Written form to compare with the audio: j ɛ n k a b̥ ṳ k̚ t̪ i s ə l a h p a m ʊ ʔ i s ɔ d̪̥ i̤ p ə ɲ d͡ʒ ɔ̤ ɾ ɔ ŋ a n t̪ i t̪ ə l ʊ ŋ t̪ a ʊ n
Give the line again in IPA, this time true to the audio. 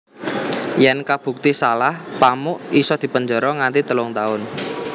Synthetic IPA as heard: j ɛ n k a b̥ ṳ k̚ t̪ i s a l a h p a m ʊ ʔ i s ɔ d̪̥ i̤ p ə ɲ d͡ʒ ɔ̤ ɾ ɔ ŋ a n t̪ i t̪ ə l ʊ ŋ t̪ a ʊ n

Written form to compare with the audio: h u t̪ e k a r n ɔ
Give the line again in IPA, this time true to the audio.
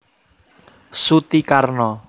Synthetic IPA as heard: s u t̪ i k a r n ɔ

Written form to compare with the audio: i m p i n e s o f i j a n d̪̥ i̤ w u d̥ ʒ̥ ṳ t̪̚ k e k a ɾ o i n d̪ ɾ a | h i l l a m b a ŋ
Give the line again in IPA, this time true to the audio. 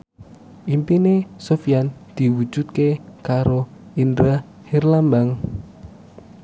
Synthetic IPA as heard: i m p i n e s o f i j a n d̪̥ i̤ w u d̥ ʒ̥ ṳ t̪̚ k e k a ɾ o i n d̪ ɾ a | h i r l a m b a ŋ

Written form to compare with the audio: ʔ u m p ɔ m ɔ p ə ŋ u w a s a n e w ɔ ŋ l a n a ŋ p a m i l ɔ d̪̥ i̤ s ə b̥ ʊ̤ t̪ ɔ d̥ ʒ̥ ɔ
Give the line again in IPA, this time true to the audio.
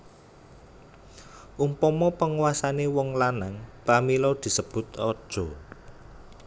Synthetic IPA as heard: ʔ u m p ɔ m ɔ p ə ŋ u w a s a n e w ɔ ŋ l a n a ŋ p a m i l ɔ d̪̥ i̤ s ə b̥ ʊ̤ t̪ ɔ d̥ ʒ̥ ɔ

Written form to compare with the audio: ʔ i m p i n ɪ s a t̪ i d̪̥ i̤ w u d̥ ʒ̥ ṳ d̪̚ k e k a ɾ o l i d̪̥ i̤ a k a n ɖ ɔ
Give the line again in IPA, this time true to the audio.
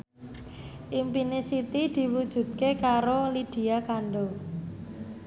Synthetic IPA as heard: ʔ i m p i n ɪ s i t̪ i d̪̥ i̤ w u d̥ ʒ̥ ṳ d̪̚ k e k a ɾ o l i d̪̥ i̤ a k a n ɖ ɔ

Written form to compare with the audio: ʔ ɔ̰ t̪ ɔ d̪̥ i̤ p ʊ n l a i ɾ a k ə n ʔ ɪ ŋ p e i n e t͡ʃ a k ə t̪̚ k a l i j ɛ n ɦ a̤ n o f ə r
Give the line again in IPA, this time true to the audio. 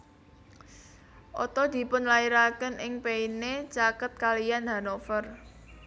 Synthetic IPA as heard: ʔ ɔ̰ t̪ ɔ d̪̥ i̤ p ʊ n l a i ɾ a k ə n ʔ ɪ ŋ p e i n e t͡ʃ a k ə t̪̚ k a l i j a n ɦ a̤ n o f ə r

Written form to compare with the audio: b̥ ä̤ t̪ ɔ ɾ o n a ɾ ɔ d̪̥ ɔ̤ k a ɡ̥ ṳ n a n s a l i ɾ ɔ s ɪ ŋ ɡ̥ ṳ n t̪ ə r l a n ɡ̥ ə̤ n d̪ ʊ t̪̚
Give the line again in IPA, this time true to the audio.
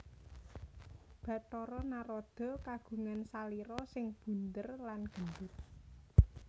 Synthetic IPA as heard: b̥ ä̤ t̪ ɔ ɾ ɔ n a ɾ ɔ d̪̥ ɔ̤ k a ɡ̥ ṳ ŋ a n s a l i ɾ ɔ s ɪ ŋ b̥ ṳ n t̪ ə r l a n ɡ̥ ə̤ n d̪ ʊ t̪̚

